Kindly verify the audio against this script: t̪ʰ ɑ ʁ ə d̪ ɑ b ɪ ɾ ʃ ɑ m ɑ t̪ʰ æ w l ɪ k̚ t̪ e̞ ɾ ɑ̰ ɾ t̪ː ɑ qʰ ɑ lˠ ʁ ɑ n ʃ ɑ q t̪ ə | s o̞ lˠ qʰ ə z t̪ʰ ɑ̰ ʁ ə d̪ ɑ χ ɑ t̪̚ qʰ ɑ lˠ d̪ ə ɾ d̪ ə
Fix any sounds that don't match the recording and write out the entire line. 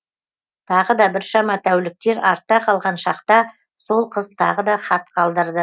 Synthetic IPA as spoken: t̪ʰ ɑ ʁ ə d̪ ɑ b ɪ ɾ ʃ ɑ m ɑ t̪ʰ æ w l ɪ k̚ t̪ e̞ ɾ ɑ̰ ɾ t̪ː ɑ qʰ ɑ lˠ ʁ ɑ n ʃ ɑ q t̪ ɑ | s o̞ lˠ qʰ ə z t̪ʰ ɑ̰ ʁ ə d̪ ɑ χ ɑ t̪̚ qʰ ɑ lˠ d̪ ə ɾ d̪ ə